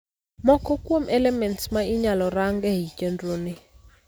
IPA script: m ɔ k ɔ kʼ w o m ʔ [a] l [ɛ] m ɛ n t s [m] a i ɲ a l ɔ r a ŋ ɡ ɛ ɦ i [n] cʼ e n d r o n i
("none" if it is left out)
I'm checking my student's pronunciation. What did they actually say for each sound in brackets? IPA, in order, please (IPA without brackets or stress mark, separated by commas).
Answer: ɛ, ɛ, m, none